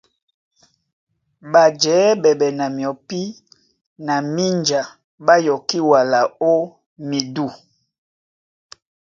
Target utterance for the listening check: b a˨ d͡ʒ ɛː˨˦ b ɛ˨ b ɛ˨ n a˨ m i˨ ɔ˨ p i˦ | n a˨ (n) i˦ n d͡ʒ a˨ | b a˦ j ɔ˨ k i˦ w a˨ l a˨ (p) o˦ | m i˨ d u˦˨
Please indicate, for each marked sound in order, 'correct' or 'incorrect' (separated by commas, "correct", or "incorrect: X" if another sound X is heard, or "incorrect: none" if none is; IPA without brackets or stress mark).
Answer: incorrect: m, incorrect: none